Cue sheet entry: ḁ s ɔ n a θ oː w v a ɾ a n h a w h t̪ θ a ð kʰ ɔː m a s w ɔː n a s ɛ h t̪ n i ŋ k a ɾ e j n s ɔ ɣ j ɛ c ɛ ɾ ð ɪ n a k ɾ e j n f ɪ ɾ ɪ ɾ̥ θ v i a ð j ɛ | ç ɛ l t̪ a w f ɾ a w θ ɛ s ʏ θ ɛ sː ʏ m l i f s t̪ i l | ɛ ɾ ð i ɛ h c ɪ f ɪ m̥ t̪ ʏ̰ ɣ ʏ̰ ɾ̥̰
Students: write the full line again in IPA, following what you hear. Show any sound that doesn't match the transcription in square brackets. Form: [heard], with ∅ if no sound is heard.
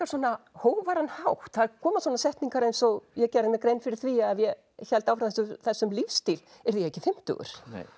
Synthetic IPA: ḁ s ɔ n a [h] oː w v a ɾ a n h a w h t̪ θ a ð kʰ ɔː m a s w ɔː n a s ɛ h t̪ n i ŋ k a ɾ e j n s ɔ ɣ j ɛ c ɛ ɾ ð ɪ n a k ɾ e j n f ɪ ɾ ɪ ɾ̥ θ v i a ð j ɛ | ç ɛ l t̪ a w f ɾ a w θ ɛ s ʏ θ ɛ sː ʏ m l i f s t̪ i l | ɛ ɾ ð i ɛ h c ɪ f ɪ m̥ t̪ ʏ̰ ɣ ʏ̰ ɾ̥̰